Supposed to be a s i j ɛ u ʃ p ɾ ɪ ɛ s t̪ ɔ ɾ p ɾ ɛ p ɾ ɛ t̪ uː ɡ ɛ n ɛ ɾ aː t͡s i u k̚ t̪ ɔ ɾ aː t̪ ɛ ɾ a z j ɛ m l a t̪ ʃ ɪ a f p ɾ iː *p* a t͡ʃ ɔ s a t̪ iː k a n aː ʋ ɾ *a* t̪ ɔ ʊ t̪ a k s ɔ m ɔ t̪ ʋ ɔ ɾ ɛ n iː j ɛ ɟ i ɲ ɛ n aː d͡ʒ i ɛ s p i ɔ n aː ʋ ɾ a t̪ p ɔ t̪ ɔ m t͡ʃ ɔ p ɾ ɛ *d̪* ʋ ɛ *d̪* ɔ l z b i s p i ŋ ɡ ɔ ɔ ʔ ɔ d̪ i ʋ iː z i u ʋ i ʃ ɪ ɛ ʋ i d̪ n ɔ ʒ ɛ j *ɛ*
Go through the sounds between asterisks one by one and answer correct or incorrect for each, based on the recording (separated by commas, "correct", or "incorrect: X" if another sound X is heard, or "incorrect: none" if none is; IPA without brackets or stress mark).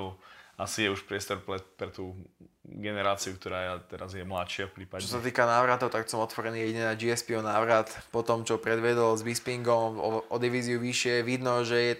correct, correct, correct, correct, correct